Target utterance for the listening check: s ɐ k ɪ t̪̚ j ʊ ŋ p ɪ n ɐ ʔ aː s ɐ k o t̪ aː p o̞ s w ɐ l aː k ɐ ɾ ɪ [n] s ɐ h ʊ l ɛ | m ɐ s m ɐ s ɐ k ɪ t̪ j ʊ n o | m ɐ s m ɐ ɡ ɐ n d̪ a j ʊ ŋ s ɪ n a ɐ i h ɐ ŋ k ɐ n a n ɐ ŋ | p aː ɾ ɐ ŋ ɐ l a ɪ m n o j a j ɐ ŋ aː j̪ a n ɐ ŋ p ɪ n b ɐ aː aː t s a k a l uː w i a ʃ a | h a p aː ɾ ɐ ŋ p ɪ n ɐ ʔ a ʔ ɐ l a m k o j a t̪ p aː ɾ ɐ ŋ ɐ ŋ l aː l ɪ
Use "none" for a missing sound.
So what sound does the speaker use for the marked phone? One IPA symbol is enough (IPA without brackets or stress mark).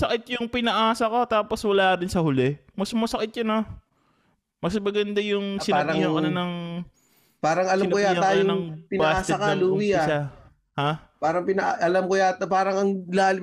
n